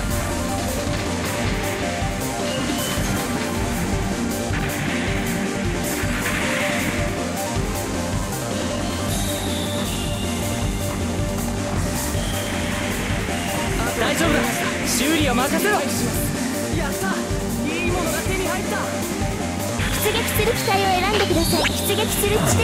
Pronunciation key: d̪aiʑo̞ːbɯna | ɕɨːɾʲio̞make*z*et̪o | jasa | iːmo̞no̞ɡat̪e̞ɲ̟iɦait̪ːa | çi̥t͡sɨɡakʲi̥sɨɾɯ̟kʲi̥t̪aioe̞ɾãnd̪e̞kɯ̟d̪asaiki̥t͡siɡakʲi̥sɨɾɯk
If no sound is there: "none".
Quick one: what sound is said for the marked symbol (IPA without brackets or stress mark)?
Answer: s